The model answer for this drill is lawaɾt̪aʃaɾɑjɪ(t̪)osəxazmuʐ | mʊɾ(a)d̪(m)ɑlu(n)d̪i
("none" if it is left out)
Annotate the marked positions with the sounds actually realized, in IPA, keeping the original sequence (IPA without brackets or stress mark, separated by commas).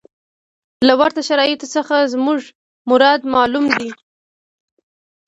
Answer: t̪, ɑ, m, m